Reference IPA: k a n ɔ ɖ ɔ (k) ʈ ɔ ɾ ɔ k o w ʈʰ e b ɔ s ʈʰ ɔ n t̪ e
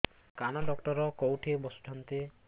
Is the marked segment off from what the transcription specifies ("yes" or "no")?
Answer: no